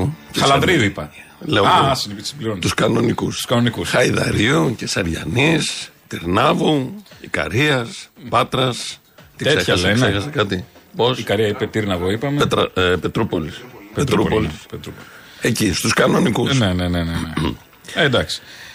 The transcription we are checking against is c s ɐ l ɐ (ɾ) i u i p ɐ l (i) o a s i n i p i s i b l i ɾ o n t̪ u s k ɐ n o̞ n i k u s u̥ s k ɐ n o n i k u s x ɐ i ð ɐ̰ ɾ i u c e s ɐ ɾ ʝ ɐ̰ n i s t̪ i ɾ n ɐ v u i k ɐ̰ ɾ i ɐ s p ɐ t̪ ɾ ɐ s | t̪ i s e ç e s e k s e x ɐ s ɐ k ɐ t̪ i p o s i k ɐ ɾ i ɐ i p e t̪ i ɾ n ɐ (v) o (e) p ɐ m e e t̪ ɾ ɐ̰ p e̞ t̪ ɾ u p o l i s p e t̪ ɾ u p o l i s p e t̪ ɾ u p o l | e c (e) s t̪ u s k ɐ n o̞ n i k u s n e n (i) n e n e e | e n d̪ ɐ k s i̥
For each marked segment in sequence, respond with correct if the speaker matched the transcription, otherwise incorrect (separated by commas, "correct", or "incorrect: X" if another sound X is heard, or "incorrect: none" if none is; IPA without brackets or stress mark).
correct, incorrect: e, correct, incorrect: i, incorrect: i, incorrect: e